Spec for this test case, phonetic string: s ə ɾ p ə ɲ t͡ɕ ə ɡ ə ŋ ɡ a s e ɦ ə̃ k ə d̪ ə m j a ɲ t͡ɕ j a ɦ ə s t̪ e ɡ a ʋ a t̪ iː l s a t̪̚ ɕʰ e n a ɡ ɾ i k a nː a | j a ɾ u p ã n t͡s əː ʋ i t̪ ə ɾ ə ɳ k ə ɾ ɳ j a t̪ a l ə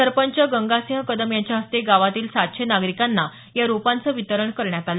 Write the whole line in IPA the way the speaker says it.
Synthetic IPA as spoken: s ə ɾ p ə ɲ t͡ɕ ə ɡ ə ŋ ɡ a s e ɦ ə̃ k ə d̪ ə m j a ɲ t͡ɕ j a ɦ ə s t̪ e ɡ a ʋ a t̪ iː l s a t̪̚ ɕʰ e n a ɡ ɾ i k a nː a | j a ɾ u p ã n t͡s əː ʋ i t̪ ə ɾ ə ɳ k ə ɾ ɳ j a t̪ a l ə